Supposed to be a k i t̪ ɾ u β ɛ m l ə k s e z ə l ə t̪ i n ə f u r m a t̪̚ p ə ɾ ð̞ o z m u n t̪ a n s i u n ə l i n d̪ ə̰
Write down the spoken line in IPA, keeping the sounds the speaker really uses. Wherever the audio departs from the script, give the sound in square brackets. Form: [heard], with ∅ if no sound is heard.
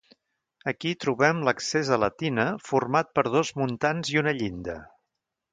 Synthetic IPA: [ə] k i t̪ ɾ u β ɛ m l ə k s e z ə l ə t̪ i n ə f u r m a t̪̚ p ə ɾ ð̞ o z m u n t̪ a n [z] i u n ə [ʎ] i n d̪ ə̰